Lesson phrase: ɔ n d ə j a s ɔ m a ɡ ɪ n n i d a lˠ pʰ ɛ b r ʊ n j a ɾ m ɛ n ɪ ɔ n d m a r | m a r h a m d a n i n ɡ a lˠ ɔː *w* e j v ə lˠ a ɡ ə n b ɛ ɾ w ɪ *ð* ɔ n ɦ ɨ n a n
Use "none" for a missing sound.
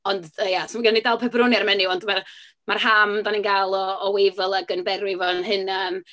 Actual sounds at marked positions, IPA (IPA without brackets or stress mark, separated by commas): w, v